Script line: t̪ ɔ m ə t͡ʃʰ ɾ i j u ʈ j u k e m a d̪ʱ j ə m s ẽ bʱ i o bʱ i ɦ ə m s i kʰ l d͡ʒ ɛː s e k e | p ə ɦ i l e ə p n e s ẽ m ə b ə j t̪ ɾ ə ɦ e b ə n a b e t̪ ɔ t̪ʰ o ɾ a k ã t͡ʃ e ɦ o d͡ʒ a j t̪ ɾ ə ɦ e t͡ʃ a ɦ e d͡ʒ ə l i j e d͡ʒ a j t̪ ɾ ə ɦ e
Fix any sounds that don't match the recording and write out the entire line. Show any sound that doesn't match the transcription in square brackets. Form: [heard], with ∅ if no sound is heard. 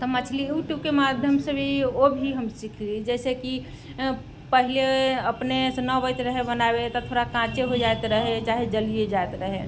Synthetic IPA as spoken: t̪ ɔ m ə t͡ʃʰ [l] i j u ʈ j u k e m a d̪ʱ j ə m s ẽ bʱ i o bʱ i ɦ ə m s i kʰ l d͡ʒ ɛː s e k [i] | p ə ɦ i l e ə p n e s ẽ [n] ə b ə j t̪ ɾ ə ɦ e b ə n a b e t̪ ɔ t̪ʰ o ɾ a k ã t͡ʃ e ɦ o d͡ʒ a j t̪ ɾ ə ɦ e t͡ʃ a ɦ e d͡ʒ ə l i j e d͡ʒ a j t̪ ɾ ə ɦ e